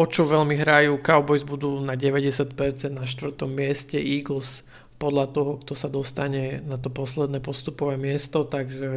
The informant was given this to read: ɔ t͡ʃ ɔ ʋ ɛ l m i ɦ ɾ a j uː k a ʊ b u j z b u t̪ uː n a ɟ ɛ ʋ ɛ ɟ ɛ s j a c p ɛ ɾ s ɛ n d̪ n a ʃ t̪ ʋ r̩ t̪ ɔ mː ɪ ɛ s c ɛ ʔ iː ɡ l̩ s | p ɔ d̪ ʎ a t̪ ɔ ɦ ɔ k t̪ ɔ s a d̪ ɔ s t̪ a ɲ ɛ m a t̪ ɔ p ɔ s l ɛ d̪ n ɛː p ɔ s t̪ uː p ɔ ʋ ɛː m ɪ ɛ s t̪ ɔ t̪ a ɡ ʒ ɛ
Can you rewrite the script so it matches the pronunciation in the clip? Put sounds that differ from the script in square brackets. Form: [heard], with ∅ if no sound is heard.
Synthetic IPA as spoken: ɔ t͡ʃ ɔ ʋ ɛ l m i ɦ ɾ a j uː k a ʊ b [ɔ] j z b u [d̪] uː n a ɟ ɛ ʋ ɛ ɟ ɛ s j a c p ɛ ɾ [t͡s] ɛ n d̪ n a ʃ t̪ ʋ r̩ t̪ ɔ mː ɪ ɛ s c ɛ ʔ iː ɡ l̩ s | p ɔ d̪ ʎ a t̪ ɔ ɦ ɔ k t̪ ɔ s a d̪ ɔ s t̪ a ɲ ɛ [n] a t̪ ɔ p ɔ s l ɛ d̪ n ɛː p ɔ s t̪ [u] p ɔ ʋ ɛː m ɪ ɛ s t̪ ɔ t̪ a ɡ ʒ ɛ